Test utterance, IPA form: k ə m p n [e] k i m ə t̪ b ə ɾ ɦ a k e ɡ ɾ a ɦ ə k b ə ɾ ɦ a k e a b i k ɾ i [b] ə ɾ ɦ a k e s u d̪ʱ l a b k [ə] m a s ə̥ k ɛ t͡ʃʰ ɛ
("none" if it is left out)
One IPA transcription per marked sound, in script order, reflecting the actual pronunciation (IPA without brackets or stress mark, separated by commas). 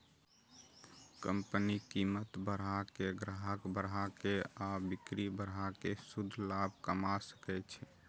i, b, ə